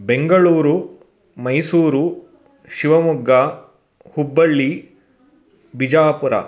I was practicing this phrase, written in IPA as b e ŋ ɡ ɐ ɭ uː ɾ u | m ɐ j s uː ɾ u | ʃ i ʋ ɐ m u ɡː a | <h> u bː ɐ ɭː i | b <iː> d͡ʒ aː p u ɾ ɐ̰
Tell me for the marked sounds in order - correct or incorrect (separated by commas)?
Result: correct, incorrect